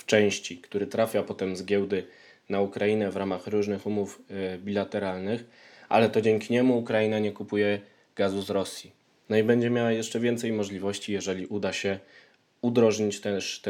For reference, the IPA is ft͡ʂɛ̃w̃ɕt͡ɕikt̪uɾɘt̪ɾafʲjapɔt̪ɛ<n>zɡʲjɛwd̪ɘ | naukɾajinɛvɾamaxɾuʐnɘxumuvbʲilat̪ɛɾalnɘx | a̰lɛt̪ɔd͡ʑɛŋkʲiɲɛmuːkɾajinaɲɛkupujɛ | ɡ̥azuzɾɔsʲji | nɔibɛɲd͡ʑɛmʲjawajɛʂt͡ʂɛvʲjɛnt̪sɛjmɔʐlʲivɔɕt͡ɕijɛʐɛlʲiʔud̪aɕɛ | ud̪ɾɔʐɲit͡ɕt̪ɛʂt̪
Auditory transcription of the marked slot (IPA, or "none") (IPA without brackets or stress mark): m